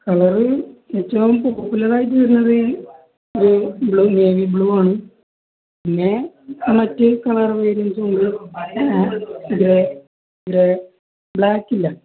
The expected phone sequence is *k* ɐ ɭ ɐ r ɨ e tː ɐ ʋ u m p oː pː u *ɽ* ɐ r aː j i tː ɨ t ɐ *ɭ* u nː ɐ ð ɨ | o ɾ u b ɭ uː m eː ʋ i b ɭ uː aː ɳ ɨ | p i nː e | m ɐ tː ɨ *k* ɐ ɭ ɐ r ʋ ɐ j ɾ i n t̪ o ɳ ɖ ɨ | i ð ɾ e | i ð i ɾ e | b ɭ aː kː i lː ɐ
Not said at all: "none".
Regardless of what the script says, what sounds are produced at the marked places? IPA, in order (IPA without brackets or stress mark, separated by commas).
k, l, ɾ, k